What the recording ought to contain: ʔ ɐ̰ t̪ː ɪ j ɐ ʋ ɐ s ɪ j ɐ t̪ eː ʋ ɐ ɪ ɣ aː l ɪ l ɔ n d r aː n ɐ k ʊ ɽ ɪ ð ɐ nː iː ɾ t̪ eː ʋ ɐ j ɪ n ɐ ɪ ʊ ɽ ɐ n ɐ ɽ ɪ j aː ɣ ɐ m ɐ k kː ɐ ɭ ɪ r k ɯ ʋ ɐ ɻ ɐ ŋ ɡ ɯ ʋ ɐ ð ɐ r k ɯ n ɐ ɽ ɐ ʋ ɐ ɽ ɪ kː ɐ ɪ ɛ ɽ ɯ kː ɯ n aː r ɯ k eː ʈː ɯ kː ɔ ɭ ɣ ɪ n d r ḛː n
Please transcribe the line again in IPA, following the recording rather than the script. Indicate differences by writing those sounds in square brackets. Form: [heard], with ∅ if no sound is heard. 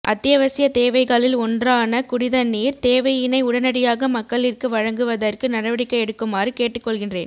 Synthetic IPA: ʔ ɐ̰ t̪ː ɪ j ɐ ʋ ɐ s ɪ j ɐ t̪ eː ʋ ɐ ɪ ɣ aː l ɪ l ɔ n d r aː n ɐ k ʊ ɽ ɪ ð ɐ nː iː ɾ t̪ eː ʋ ɐ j ɪ n ɐ ɪ ʊ ɽ ɐ n ɐ ɽ ɪ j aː ɣ ɐ m ɐ k kː ɐ ɭ ɪ r k ɯ ʋ ɐ ɻ ɐ ŋ ɡ ɯ ʋ ɐ ð ɐ r k ɯ n ɐ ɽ ɐ ʋ ɐ ɽ ɪ kː ɐ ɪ ɛ ɽ ɯ kː ɯ [m] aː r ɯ k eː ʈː ɯ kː ɔ ɭ ɣ ɪ n d r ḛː n